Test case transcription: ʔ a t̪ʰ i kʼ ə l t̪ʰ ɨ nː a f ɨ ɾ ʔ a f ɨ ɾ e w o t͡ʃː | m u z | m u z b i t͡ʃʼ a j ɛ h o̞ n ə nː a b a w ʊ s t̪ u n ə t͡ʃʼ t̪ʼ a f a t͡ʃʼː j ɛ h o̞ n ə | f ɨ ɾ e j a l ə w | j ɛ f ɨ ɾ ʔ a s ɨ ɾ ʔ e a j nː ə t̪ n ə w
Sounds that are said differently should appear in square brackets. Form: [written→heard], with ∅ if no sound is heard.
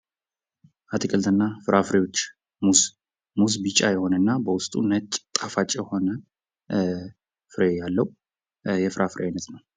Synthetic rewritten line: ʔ a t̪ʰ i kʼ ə l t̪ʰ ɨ nː a f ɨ ɾ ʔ a f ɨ ɾ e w o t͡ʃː | m u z | m u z b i t͡ʃʼ a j ɛ h o̞ n ə nː a b [a→ə] w ʊ s [t̪→t̪ʼ] u n ə t͡ʃʼ t̪ʼ a f a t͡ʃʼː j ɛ h o̞ n ə | f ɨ ɾ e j a [l→lː] ə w | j ɛ f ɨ ɾ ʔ a [s→f] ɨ ɾ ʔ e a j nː ə t̪ n ə w